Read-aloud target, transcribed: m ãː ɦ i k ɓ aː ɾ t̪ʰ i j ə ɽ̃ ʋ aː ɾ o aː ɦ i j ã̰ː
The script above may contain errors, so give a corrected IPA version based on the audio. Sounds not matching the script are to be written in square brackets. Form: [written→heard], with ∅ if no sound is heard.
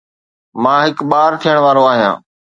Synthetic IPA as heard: m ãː ɦ [i→ɪ] k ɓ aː ɾ t̪ʰ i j ə ɽ̃ ʋ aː ɾ o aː ɦ i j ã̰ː